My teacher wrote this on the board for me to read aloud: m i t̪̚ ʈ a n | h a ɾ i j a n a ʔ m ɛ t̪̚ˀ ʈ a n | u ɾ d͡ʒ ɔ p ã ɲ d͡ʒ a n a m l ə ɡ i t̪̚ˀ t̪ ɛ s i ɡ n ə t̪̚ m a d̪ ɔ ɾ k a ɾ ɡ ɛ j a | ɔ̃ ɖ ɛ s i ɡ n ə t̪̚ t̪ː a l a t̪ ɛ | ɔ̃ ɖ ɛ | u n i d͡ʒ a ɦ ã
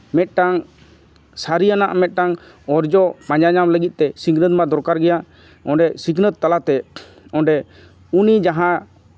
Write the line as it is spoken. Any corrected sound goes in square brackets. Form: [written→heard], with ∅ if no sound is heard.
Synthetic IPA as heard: m [i→ɛ] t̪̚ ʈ a [n→ŋ] | [h→s] a ɾ i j a n a ʔ m ɛ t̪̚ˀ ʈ a [n→ŋ] | [u→ɔ] ɾ d͡ʒ ɔ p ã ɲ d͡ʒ a [n→ɲ] a m l ə ɡ i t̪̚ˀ t̪ ɛ s i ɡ n ə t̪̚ m a d̪ ɔ ɾ k a ɾ ɡ ɛ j a | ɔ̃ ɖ ɛ s i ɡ n ə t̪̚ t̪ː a l a t̪ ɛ | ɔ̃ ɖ ɛ | u n i d͡ʒ a ɦ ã